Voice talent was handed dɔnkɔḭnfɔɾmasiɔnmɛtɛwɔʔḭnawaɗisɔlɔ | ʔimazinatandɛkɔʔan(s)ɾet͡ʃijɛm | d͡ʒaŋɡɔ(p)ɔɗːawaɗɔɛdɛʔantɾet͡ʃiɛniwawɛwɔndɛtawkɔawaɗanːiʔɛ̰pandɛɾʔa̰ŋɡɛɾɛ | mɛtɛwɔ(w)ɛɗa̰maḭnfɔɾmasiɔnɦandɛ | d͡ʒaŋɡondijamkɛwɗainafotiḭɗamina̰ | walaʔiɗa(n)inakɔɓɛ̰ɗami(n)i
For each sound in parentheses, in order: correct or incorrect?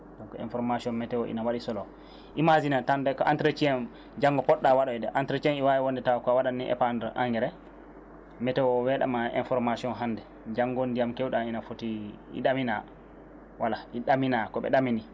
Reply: incorrect, correct, correct, incorrect, correct

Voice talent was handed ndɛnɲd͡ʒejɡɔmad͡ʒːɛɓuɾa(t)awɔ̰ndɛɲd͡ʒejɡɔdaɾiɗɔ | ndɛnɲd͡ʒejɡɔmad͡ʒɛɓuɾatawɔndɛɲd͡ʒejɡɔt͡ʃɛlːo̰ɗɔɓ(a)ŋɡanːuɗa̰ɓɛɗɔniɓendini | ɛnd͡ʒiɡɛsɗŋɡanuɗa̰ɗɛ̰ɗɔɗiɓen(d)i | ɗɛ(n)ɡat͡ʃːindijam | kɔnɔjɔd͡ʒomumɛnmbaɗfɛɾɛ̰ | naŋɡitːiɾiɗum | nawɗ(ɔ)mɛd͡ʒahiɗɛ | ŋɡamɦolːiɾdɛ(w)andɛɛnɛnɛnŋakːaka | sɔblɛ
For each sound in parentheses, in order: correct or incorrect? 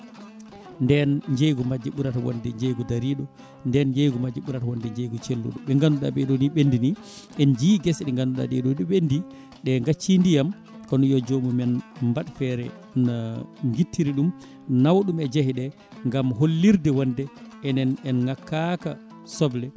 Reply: correct, incorrect, correct, incorrect, incorrect, correct

